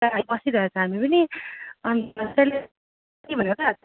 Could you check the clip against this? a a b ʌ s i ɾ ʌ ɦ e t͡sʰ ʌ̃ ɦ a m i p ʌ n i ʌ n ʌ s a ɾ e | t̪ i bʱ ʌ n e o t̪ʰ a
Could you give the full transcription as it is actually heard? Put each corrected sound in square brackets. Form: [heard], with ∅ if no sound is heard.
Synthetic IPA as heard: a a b ʌ s i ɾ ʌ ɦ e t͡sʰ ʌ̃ ɦ a m i p ʌ n i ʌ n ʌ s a [l] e | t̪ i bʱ ʌ n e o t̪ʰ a

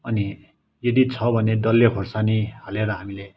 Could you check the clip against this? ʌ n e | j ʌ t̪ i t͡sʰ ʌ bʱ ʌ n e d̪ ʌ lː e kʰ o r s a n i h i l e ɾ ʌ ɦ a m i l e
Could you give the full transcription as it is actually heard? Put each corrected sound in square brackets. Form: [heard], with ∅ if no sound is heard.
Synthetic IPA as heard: ʌ n [i] | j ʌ [d̪] i t͡sʰ ʌ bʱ ʌ n e d̪ ʌ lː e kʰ o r s a n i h [a] l e ɾ ʌ ɦ a m i l e

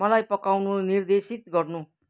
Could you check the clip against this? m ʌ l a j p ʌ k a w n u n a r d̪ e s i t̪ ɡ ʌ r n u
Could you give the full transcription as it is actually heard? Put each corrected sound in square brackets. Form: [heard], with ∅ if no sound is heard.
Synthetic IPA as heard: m ʌ l a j p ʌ k a w n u n [i] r d̪ e s i t̪ ɡ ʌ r n u

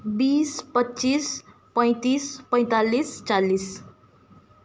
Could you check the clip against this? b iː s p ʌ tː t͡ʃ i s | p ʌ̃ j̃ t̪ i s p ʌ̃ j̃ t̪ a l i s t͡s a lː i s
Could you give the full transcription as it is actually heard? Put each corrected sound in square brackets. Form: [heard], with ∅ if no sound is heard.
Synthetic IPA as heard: b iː s p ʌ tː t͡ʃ i s | p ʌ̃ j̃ t̪ i s p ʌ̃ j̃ t̪ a l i s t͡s a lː i s

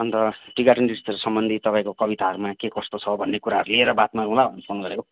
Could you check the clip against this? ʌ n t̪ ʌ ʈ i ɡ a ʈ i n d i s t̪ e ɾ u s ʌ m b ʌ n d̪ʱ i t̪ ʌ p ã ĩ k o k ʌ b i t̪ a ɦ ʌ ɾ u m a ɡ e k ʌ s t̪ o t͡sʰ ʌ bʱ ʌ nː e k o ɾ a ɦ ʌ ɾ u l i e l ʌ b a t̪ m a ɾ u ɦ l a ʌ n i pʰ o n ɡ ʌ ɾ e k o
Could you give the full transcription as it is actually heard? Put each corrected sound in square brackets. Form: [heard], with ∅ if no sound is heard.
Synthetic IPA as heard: ʌ n t̪ ʌ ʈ i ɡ a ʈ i n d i s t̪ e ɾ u s ʌ m b ʌ n d̪ʱ i t̪ ʌ p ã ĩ k o k ʌ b i t̪ a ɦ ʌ ɾ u m a [k] e k ʌ s t̪ o t͡sʰ ʌ bʱ ʌ nː e k [u] ɾ a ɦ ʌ ɾ u l i e [ɾ] ʌ b a t̪ m a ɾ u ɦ l a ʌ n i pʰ o n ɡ ʌ ɾ e k o

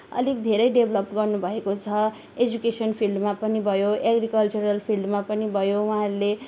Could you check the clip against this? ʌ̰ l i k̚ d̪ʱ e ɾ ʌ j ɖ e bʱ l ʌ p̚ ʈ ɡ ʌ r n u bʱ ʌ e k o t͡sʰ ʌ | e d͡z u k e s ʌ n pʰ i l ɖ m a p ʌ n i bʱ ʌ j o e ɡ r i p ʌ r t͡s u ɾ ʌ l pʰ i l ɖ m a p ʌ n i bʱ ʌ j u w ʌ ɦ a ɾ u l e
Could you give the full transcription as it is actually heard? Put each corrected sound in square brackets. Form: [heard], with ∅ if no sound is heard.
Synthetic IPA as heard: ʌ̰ l i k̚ d̪ʱ e ɾ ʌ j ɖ e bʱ l ʌ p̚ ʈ ɡ ʌ r n u bʱ ʌ e k o t͡sʰ ʌ | e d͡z u k e s ʌ n pʰ i l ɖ m a p ʌ n i bʱ ʌ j o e ɡ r i [k] ʌ [l] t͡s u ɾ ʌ l pʰ i l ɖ m a p ʌ n i bʱ ʌ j [o] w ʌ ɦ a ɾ u l e

